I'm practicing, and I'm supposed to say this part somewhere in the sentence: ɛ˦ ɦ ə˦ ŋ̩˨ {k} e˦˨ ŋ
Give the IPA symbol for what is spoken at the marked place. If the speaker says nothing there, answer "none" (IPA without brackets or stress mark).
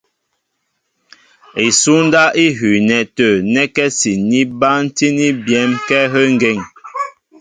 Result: ɡ